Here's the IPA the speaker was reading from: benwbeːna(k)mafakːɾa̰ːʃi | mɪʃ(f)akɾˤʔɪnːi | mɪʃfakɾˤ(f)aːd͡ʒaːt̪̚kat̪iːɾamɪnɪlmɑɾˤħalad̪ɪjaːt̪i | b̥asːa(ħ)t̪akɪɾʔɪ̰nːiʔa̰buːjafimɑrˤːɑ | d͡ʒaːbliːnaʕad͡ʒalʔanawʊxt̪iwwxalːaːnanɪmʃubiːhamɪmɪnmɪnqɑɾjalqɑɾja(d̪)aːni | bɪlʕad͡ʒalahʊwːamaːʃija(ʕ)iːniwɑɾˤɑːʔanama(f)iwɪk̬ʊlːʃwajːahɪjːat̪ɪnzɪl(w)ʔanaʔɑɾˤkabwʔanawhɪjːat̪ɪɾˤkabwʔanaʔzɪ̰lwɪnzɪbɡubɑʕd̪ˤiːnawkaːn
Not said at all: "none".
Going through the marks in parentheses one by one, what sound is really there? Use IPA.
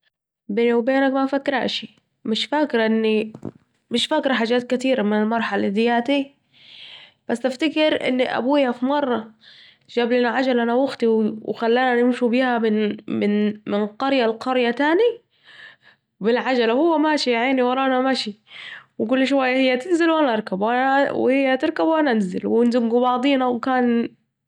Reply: k, f, ħ, f, t̪, ʕ, ʃ, w

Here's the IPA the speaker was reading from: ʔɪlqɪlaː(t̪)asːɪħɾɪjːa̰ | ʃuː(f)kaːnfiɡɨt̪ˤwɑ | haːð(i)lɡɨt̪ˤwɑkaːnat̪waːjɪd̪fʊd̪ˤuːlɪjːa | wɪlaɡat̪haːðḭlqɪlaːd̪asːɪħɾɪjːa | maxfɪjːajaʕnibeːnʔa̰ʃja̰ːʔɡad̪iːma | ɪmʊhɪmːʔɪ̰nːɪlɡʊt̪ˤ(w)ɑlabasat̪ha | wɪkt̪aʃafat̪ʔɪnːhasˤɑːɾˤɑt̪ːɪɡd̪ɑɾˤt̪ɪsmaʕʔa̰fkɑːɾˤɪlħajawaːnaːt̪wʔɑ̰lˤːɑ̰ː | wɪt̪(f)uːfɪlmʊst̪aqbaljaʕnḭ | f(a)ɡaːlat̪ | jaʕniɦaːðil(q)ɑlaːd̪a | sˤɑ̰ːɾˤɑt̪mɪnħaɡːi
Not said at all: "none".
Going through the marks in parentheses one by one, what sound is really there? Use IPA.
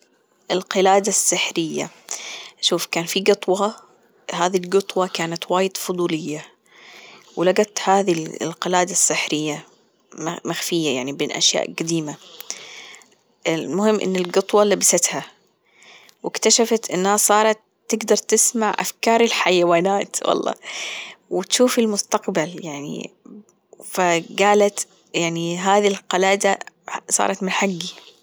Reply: d̪, f, i, w, ʃ, a, q

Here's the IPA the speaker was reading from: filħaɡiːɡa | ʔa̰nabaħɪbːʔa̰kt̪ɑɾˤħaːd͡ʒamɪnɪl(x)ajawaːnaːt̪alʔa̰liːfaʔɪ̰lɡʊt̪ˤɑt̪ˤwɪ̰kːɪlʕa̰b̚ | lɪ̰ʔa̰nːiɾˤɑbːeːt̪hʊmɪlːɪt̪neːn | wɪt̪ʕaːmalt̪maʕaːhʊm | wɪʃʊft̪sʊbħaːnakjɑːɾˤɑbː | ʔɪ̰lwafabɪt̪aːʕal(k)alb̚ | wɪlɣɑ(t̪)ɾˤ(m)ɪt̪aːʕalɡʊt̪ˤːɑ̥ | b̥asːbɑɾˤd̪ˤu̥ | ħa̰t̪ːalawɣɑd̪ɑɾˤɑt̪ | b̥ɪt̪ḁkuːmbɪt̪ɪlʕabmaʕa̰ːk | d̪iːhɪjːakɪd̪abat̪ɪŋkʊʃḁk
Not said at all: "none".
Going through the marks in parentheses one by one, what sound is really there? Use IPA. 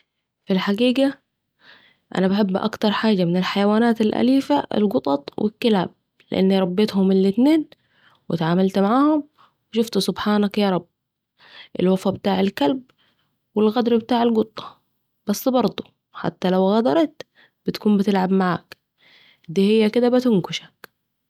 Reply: ħ, k, d̪, b

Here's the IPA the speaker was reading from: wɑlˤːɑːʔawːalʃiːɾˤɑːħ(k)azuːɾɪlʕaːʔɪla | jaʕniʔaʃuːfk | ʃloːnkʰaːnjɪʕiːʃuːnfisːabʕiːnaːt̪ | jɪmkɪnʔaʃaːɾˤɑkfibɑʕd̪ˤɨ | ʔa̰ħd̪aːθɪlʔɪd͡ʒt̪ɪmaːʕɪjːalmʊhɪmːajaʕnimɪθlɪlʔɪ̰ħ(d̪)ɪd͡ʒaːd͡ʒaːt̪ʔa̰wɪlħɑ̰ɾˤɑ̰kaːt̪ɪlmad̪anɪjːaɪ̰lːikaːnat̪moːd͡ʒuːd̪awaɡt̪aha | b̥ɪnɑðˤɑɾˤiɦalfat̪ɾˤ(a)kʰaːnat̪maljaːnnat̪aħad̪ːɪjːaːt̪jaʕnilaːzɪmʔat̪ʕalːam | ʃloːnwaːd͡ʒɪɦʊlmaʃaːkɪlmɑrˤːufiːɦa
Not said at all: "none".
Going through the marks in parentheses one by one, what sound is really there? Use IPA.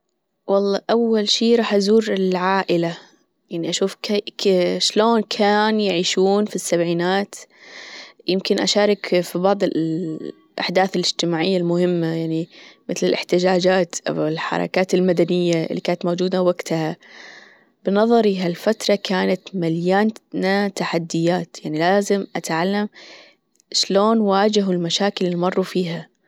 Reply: ʔ, t̪, ɑ

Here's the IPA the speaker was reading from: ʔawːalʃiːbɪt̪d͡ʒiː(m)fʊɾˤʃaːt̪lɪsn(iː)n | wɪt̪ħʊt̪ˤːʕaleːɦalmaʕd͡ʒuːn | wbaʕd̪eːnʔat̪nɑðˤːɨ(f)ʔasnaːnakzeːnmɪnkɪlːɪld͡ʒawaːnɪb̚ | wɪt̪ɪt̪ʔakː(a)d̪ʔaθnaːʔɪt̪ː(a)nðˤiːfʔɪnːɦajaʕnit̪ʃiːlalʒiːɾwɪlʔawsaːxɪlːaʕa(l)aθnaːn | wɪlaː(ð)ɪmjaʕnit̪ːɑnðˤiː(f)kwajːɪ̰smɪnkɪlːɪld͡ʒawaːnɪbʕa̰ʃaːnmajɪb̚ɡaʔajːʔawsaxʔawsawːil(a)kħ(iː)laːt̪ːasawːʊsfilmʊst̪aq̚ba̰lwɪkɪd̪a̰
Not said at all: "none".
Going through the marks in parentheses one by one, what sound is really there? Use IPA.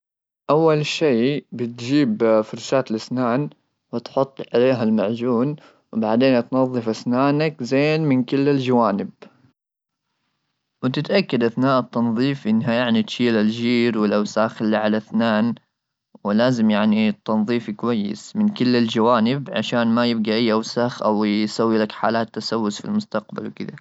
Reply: b, aː, f, a, ɑ, l, z, f, a, aː

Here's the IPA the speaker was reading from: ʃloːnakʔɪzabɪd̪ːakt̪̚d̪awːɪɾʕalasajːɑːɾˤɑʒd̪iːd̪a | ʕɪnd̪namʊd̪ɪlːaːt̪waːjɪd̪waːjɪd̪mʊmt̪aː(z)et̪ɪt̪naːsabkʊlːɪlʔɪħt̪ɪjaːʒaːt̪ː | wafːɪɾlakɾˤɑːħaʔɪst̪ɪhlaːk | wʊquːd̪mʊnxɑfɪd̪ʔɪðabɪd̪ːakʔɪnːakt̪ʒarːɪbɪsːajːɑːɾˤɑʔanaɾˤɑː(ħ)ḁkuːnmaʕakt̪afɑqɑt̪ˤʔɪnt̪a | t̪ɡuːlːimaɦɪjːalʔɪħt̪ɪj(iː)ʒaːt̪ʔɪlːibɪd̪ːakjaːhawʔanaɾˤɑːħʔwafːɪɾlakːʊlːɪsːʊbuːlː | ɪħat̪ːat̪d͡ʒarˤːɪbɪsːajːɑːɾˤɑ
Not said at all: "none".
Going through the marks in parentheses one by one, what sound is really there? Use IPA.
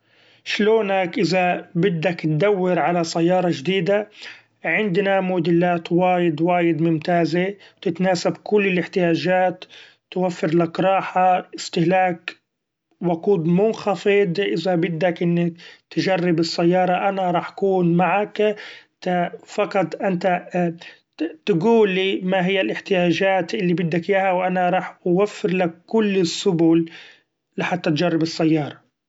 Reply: z, ħ, aː

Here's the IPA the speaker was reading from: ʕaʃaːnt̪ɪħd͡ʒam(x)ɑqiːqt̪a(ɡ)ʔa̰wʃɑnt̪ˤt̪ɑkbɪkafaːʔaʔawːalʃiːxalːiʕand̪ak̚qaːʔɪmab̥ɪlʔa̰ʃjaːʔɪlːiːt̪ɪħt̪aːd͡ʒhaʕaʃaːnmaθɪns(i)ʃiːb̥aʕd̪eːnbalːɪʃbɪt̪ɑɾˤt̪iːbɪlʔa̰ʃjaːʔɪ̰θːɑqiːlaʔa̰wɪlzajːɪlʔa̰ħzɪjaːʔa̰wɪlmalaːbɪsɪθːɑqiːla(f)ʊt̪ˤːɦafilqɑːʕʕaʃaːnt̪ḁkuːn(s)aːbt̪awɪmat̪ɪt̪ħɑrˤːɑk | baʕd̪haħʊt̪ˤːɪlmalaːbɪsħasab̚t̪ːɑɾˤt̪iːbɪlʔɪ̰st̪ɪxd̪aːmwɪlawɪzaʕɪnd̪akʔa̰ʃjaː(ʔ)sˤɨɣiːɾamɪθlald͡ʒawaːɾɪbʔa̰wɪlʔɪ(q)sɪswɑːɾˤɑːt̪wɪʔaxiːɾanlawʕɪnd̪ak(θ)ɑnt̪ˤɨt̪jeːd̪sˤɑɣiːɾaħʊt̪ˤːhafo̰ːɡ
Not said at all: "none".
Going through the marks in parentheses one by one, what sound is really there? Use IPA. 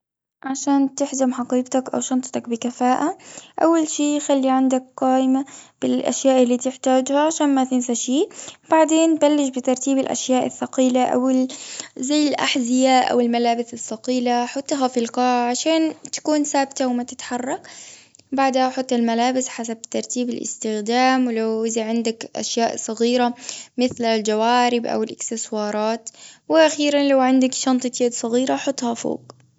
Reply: ħ, k, a, ħ, s, ʔ, k, ʃ

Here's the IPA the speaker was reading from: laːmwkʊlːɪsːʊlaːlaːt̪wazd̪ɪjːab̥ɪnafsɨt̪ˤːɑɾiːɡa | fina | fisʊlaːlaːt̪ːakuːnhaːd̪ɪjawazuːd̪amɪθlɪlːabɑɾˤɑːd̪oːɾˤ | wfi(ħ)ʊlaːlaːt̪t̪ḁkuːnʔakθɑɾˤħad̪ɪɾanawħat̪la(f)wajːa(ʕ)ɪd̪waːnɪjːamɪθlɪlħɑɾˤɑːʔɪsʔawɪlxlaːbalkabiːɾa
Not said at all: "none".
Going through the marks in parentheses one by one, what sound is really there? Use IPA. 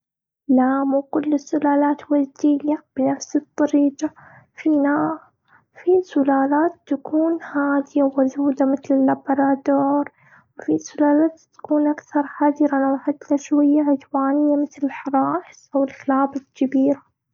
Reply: s, ʃ, ʕ

